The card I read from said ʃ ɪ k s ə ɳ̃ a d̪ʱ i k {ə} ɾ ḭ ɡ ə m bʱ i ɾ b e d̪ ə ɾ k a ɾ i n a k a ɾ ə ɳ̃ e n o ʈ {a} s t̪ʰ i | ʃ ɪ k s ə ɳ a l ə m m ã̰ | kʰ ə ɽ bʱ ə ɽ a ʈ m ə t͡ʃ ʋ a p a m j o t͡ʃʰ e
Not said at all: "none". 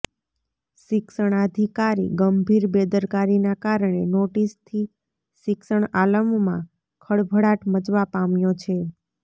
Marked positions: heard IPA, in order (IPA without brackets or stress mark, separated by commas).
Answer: a, i